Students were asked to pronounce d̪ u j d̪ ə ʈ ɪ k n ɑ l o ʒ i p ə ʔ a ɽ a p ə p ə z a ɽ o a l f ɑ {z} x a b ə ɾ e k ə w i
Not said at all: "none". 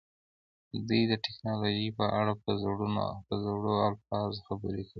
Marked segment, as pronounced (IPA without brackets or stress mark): z